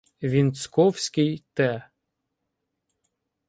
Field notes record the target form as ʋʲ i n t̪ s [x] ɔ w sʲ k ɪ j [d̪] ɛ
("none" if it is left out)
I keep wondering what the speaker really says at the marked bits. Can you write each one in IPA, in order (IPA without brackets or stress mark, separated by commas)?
k, t̪